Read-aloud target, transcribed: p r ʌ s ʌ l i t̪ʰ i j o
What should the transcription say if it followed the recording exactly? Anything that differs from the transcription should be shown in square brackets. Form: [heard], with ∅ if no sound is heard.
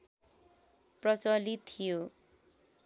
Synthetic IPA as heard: p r ʌ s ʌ l i t̪ʰ i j o